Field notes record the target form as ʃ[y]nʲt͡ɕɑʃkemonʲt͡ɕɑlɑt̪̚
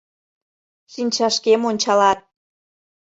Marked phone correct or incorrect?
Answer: incorrect